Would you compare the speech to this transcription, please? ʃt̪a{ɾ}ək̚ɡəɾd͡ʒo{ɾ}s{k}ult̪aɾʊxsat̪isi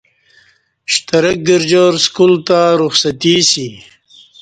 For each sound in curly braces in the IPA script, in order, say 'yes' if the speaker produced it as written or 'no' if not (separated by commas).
yes, yes, yes